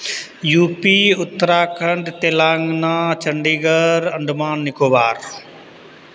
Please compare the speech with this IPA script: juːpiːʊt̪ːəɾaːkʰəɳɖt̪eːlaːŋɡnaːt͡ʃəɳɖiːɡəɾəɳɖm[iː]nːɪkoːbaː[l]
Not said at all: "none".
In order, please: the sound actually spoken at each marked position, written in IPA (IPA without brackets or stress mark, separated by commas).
aː, ɾ